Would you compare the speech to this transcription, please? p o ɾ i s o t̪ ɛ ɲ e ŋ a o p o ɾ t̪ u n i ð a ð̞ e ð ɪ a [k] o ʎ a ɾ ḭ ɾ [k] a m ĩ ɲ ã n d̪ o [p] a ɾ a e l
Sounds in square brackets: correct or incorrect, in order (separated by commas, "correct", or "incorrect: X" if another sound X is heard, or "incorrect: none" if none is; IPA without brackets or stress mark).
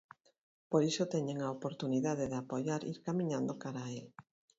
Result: incorrect: p, correct, incorrect: k